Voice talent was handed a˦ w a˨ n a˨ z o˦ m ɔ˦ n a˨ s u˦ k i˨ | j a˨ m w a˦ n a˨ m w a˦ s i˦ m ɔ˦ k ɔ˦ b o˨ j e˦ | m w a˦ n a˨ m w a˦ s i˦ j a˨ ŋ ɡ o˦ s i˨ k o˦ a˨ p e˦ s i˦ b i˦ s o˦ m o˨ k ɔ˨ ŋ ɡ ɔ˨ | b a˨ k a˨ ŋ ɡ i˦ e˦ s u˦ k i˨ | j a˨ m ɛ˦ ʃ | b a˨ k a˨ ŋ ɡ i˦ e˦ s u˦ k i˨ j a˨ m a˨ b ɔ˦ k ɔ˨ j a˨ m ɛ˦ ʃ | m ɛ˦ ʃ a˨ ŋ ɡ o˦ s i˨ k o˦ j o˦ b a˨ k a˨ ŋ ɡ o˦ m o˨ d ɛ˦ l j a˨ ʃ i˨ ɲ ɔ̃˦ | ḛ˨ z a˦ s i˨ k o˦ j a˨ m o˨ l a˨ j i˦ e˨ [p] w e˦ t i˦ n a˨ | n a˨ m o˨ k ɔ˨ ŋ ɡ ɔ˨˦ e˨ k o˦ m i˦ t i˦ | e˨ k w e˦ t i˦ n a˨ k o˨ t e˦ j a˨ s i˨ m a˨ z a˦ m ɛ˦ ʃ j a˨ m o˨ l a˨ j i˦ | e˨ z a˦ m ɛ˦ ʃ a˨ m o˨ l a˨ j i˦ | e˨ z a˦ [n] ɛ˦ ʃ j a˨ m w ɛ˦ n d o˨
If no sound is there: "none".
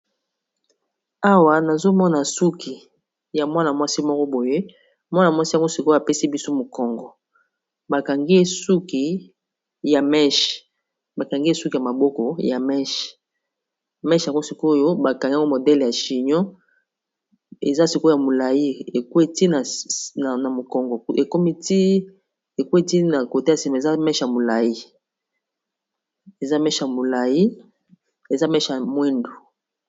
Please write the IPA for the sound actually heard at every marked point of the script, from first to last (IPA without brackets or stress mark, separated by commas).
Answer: k, m